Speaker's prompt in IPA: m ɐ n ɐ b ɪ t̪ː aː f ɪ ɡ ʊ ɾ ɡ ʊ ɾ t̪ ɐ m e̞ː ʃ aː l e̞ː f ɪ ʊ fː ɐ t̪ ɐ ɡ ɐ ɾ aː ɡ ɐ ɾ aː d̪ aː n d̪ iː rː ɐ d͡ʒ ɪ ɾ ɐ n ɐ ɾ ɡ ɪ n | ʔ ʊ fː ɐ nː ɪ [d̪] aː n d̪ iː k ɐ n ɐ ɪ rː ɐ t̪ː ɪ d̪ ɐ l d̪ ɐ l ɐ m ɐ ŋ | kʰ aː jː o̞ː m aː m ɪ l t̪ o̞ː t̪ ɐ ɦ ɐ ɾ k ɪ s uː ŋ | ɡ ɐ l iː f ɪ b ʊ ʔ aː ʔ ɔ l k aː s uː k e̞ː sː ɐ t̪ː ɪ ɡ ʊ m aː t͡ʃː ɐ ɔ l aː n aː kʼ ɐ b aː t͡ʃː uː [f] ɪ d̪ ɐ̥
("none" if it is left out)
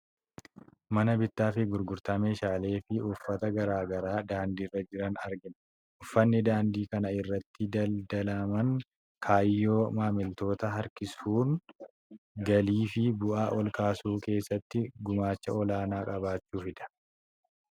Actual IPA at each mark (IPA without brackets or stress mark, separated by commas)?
d̪, f